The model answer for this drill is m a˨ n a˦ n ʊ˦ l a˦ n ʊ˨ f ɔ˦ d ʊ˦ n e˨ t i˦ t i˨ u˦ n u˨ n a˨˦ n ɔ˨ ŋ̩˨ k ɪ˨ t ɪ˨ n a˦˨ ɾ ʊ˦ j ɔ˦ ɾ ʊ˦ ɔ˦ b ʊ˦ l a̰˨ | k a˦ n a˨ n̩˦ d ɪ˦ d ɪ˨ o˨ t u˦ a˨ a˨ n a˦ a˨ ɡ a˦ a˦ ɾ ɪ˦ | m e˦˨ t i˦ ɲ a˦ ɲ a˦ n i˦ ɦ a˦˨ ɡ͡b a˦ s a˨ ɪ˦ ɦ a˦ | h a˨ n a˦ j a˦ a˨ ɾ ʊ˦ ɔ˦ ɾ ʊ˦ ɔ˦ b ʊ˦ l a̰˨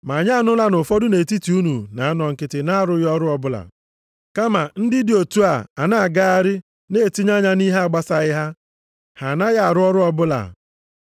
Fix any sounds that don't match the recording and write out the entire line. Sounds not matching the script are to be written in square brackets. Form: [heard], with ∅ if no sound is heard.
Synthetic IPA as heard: m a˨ [ɲ] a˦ n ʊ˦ l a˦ n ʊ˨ f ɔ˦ d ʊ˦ n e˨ t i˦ t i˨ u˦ n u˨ n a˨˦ n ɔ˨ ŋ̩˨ k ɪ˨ t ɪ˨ n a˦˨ ɾ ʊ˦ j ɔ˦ ɾ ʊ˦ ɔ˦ b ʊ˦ l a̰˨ | k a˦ [m] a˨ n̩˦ d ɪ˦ d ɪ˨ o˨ t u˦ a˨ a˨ n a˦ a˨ ɡ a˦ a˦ ɾ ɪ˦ | [n] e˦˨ t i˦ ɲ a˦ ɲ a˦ n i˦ ɦ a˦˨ ɡ͡b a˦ s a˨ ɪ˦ ɦ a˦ | h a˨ n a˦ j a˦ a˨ ɾ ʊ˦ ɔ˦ ɾ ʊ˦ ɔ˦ b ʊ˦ l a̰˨